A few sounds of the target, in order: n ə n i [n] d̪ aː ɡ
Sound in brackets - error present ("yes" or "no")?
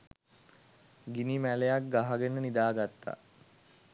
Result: yes